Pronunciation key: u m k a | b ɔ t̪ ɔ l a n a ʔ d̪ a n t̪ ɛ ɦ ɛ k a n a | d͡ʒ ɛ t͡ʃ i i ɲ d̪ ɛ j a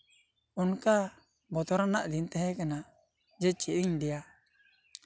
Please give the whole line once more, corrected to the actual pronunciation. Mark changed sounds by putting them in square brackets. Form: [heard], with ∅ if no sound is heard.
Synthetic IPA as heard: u [n] k a | b ɔ t̪ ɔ [ɾ] a n a ʔ d̪ [i] n t̪ ɛ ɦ ɛ k a n a | d͡ʒ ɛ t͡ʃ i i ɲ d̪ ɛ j a